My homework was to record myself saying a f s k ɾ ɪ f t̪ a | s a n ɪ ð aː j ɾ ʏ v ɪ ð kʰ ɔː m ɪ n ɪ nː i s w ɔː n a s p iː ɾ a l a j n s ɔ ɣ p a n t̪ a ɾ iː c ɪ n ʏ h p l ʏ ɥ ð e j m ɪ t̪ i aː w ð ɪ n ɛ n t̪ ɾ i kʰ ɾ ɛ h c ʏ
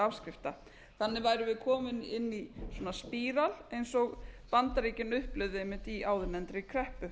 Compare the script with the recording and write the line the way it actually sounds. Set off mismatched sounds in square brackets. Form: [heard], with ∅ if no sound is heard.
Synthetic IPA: a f s k ɾ ɪ f t̪ a | [θ] a [nː] ɪ [v] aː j ɾ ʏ v ɪ ð kʰ ɔː m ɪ n ɪ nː i s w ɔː n a s p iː ɾ a l [e] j n s ɔ ɣ p a n t̪ a ɾ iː c ɪ n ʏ h p l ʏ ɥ ð e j m ɪ t̪ i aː w ð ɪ n ɛ n t̪ ɾ [ɪ] kʰ ɾ ɛ h [p] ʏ